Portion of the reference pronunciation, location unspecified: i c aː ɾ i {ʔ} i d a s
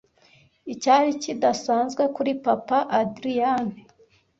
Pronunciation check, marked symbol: incorrect: c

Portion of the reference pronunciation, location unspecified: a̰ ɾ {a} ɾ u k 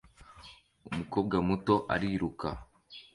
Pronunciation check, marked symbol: incorrect: i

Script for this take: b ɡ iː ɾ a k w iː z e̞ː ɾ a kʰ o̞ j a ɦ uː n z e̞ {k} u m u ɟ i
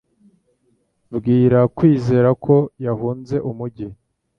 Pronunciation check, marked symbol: incorrect: ʔ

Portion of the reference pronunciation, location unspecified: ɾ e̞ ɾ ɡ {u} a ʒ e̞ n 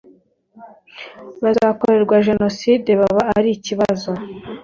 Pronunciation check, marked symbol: incorrect: w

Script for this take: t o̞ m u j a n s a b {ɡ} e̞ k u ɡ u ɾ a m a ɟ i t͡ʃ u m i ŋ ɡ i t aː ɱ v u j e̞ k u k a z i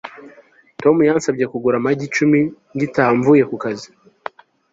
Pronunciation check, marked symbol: incorrect: ɟ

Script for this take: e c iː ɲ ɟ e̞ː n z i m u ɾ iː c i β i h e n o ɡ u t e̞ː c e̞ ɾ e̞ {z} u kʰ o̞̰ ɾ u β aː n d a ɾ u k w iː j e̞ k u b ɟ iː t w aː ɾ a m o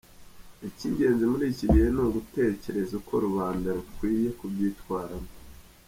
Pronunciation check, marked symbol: correct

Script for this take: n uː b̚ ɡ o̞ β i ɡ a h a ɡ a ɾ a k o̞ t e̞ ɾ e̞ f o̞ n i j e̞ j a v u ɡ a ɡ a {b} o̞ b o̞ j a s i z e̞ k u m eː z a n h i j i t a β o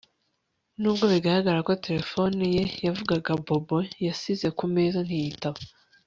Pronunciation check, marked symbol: correct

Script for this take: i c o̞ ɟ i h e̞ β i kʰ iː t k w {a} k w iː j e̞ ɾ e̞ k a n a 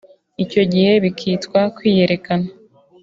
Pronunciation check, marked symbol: correct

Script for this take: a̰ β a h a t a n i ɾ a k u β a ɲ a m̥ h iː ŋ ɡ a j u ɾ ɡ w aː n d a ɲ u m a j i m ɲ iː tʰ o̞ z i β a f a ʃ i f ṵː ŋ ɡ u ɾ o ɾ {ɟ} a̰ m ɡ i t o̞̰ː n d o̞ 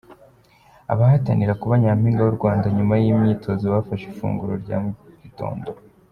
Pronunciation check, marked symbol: correct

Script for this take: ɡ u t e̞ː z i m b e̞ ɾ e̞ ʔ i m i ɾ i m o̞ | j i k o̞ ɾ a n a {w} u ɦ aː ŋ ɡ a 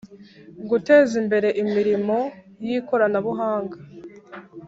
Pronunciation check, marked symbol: incorrect: β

